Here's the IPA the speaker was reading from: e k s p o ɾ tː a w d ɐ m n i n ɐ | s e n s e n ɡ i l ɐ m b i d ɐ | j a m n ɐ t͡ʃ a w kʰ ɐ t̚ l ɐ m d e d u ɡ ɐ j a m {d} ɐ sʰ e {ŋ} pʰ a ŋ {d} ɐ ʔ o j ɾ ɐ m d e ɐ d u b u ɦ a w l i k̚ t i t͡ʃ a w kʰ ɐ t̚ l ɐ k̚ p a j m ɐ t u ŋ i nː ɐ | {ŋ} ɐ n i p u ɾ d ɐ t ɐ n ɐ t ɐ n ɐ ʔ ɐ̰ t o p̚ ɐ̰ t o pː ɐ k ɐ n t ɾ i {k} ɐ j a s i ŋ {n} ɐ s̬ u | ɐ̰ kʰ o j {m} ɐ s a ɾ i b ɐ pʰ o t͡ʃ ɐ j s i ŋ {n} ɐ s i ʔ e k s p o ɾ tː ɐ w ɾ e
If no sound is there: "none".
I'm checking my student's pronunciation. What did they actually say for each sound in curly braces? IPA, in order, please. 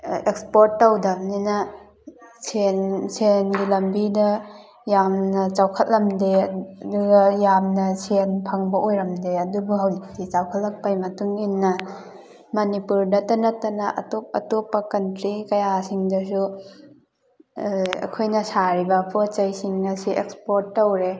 n, n, b, m, k, d, n, n

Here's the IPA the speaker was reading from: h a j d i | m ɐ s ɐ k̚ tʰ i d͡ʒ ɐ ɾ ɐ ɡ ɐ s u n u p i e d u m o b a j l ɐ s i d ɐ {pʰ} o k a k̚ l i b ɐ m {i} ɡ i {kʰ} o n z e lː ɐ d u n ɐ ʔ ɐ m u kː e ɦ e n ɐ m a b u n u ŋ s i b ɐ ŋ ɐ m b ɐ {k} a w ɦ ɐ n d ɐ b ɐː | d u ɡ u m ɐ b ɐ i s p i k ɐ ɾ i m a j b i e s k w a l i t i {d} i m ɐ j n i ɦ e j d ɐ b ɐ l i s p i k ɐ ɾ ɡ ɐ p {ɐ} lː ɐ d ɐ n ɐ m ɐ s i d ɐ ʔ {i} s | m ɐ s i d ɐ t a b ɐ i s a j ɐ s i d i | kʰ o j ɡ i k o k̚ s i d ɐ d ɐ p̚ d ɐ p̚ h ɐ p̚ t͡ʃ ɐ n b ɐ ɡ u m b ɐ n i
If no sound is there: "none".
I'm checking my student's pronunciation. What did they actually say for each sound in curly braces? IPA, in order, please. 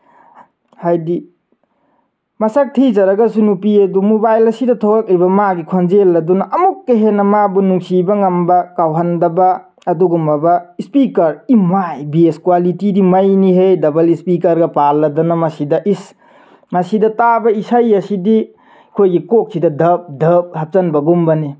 tʰ, a, kʰ, k, d, a, i

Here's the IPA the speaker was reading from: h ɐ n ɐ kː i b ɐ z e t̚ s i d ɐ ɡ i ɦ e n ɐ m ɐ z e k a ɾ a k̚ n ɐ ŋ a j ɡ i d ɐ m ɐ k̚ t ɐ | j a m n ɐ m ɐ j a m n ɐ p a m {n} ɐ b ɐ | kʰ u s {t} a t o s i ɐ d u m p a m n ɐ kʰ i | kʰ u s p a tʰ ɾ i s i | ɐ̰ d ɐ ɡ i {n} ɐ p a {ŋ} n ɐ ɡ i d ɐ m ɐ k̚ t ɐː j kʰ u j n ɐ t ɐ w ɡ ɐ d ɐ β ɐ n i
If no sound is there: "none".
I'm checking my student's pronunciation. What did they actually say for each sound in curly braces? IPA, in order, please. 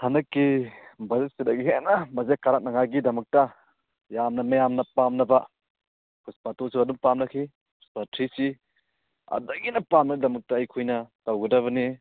n, p, n, m

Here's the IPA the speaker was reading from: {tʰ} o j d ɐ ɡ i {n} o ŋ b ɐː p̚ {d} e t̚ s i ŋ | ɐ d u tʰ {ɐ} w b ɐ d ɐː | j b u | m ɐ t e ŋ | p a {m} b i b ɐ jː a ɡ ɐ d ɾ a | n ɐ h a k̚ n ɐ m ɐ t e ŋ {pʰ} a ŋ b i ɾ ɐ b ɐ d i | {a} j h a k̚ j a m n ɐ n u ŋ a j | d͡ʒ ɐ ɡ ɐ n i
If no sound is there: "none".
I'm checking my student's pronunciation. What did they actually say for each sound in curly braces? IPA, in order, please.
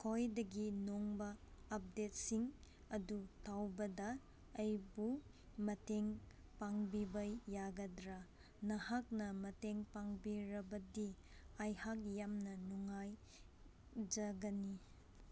kʰ, n, d, a, ŋ, p, a

